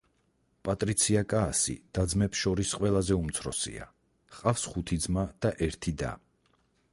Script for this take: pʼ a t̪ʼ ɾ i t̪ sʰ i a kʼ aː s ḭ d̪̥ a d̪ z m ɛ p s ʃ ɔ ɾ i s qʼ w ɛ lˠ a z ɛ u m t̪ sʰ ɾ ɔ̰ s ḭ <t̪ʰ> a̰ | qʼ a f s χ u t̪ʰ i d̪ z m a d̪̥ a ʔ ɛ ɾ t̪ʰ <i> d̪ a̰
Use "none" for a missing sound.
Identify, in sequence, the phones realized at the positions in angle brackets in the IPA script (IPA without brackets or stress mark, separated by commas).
none, i